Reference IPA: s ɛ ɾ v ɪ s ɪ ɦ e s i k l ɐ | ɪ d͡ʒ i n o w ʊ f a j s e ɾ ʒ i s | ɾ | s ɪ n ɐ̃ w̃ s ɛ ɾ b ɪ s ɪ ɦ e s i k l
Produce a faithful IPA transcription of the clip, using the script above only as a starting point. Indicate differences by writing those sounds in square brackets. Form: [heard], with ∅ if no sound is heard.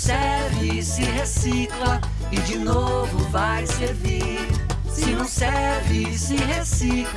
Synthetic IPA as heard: s ɛ ɾ v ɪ s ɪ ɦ e s i k l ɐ | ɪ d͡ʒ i n o [v] ʊ [v] a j s e ɾ [v] i [∅] | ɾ | s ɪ n ɐ̃ w̃ s ɛ ɾ [v] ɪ s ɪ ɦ e s i k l